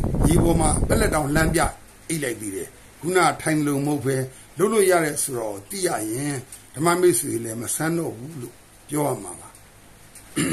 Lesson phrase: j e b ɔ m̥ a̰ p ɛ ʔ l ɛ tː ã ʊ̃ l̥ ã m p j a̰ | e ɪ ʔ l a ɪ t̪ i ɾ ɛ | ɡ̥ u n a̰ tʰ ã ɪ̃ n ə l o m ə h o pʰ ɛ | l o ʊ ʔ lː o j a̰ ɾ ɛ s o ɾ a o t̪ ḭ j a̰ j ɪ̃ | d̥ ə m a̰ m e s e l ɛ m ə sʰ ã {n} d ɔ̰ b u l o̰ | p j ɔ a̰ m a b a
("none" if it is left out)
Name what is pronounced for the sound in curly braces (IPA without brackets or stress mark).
n